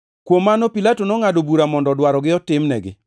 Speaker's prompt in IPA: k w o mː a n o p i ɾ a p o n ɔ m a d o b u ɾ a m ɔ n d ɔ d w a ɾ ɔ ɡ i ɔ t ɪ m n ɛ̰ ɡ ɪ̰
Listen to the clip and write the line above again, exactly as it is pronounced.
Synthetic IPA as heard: k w o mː a n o p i l a t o n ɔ ŋ a d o b u ɾ a m ɔ n d ɔ d w a ɾ ɔ ɡ ɪ ɔ t ɪ m n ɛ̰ ɡ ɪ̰